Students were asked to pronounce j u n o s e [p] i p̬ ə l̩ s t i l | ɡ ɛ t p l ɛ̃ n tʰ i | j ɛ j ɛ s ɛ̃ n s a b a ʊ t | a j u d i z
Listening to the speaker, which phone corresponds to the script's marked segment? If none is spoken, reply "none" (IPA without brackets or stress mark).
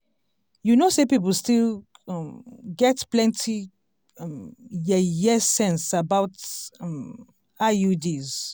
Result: p